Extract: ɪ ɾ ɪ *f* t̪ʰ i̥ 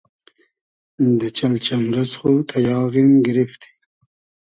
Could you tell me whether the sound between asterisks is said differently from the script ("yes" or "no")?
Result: no